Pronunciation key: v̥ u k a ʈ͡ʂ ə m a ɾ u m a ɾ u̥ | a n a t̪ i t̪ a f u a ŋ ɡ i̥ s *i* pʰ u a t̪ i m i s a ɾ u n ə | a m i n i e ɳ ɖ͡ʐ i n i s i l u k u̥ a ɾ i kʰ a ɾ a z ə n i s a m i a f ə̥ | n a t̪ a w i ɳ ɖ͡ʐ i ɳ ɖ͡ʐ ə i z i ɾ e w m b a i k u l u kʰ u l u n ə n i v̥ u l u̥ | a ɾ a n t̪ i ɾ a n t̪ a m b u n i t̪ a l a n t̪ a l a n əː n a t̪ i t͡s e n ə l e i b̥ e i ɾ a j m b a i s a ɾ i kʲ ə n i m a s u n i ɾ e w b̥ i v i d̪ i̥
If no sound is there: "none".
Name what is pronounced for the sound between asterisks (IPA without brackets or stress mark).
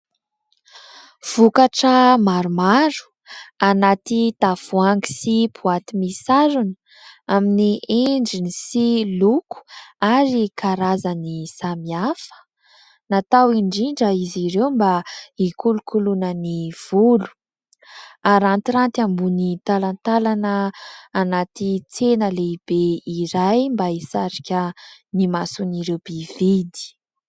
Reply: i